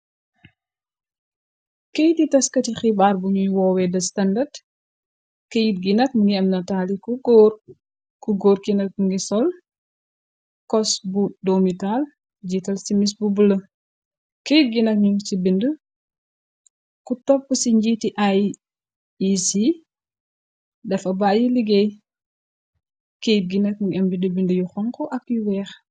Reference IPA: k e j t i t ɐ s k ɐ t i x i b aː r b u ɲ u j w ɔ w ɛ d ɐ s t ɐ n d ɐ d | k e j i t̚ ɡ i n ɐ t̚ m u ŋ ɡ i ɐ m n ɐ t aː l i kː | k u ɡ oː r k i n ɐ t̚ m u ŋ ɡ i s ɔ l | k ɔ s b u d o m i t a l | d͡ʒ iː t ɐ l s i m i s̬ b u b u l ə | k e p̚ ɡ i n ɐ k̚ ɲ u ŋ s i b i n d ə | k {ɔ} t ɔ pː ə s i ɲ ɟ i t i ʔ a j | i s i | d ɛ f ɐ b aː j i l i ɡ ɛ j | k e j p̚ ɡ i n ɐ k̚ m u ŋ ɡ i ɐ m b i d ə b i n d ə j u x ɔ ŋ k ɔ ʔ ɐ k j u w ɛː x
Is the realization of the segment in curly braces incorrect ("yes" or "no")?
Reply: yes